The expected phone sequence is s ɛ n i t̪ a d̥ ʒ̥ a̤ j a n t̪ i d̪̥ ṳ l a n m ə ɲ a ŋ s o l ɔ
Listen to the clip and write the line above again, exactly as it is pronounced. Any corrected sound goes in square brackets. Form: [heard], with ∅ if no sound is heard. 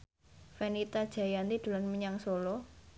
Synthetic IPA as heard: [f] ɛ n i t̪ a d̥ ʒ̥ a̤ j a n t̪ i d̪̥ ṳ l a n m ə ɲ a ŋ s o l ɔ

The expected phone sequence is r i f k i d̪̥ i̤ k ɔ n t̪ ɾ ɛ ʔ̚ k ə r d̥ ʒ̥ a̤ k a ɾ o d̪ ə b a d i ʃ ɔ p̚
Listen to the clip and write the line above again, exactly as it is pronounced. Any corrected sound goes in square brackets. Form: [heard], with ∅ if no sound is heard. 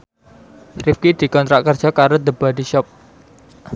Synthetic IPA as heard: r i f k i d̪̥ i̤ k ɔ n t̪ ɾ [a] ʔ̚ k ə r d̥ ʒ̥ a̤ k a ɾ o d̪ ə b a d i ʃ ɔ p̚

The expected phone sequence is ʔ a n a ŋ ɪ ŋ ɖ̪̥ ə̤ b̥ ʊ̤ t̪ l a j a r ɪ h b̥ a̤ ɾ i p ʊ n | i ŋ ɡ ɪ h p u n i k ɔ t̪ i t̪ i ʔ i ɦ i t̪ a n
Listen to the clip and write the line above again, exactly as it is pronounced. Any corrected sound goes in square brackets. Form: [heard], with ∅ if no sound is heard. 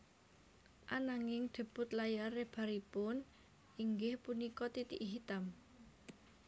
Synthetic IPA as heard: ʔ a n a ŋ ɪ ŋ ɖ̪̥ ə̤ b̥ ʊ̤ t̪ l a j a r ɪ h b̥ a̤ ɾ i p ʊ n | i ŋ ɡ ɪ h p u n i k ɔ t̪ i t̪ i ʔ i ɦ i t̪ a [m]

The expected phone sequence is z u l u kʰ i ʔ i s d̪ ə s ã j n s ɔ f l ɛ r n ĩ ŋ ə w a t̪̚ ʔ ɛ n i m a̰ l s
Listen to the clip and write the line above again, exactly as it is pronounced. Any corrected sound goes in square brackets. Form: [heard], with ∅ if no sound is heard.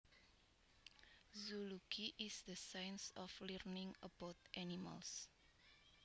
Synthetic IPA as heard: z u l u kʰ i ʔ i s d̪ ə s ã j n s ɔ f l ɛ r n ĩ ŋ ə [b] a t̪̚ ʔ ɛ n i m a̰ l s

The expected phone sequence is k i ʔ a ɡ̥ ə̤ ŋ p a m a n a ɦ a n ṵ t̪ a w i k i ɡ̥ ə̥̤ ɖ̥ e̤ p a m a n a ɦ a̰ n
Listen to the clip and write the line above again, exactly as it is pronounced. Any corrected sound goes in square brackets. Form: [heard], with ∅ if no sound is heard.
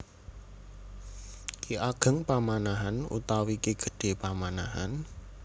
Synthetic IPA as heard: k i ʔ a ɡ̥ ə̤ ŋ p a m a n a ɦ a n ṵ t̪ a w i k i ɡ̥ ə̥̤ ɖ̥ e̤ p a m a n a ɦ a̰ n

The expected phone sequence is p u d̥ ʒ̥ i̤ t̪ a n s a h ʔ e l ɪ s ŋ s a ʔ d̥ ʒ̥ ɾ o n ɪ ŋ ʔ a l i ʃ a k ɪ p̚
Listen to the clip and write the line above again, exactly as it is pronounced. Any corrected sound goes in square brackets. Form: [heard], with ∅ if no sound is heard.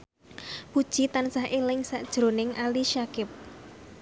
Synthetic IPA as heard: p u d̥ ʒ̥ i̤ t̪ a n s a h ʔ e l ɪ [∅] ŋ s a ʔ d̥ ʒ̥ ɾ o n ɪ ŋ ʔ a l i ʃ a k ɪ p̚

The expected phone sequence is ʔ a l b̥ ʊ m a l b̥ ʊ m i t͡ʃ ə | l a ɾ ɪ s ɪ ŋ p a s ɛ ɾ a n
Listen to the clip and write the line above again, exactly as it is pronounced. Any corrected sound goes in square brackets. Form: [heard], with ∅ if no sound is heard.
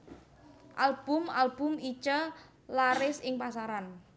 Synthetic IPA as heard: ʔ a l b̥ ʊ m a l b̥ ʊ m i t͡ʃ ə | l a ɾ ɪ s ɪ ŋ p a s [a] ɾ a n

